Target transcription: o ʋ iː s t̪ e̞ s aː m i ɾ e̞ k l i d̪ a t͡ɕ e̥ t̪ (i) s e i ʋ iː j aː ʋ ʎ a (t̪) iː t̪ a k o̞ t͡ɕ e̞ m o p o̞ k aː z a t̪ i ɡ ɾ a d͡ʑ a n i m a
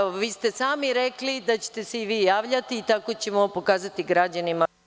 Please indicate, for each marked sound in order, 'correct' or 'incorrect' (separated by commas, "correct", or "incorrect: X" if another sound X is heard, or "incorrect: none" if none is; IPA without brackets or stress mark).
incorrect: e, correct